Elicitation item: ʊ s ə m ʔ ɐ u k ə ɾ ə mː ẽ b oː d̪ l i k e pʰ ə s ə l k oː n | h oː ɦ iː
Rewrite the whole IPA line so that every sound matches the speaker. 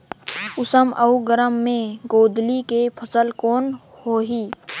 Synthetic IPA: ʊ s ə m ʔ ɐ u ɡ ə ɾ ə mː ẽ ɡ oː d̪ l i k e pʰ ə s ə l k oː n | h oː ɦ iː